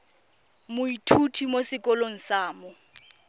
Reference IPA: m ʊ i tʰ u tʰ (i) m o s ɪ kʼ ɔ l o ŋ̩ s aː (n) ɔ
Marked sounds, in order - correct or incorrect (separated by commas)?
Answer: correct, incorrect